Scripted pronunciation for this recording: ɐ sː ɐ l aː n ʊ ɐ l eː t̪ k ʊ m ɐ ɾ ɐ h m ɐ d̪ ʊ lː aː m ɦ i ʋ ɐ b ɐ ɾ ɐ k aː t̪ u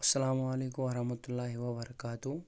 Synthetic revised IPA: ɐ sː ɐ l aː m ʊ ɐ l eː k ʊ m ɐ ɾ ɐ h m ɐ t̪ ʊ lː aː ɦ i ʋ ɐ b ɐ ɾ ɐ k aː t̪ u